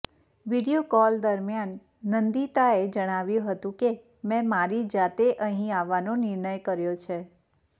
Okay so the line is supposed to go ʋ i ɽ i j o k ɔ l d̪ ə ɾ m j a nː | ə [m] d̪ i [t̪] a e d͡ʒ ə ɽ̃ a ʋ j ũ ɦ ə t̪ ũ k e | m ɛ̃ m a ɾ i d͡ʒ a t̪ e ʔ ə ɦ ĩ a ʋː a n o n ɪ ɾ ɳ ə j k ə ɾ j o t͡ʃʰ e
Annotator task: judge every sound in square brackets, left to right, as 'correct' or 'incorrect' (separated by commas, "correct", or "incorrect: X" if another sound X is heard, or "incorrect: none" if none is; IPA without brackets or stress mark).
incorrect: n, correct